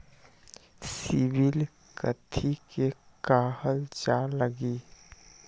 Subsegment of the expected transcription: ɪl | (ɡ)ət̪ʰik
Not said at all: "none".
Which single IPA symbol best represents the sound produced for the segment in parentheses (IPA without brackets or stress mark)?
k